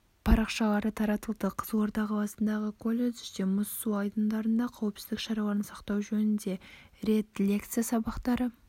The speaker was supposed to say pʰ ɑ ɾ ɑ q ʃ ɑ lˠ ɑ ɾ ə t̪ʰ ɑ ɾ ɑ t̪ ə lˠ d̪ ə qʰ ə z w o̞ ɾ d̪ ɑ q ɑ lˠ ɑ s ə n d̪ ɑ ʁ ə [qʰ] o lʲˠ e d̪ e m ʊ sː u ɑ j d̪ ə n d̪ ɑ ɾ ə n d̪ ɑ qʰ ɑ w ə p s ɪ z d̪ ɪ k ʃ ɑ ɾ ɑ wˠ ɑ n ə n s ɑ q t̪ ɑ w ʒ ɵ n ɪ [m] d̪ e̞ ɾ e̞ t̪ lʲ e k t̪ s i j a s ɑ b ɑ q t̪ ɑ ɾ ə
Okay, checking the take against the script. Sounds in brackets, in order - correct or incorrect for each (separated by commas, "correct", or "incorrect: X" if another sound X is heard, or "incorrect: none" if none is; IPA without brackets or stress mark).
incorrect: kʰ, incorrect: n